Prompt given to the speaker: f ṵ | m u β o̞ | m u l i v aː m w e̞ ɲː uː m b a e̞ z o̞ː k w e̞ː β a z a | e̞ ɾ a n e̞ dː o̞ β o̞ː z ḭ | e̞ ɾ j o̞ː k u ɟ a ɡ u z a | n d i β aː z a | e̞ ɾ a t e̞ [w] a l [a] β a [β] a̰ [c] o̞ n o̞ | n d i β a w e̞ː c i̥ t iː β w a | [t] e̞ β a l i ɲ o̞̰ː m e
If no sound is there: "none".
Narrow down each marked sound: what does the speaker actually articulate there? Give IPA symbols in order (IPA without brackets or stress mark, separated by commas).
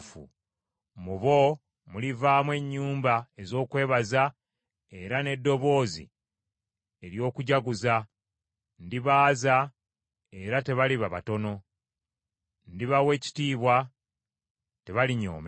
β, i, β, t, t